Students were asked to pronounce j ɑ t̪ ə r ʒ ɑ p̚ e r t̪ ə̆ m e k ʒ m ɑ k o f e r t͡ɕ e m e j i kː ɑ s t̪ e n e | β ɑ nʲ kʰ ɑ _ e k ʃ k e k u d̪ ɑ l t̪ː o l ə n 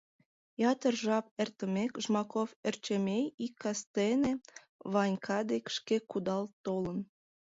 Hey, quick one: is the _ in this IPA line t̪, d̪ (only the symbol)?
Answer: d̪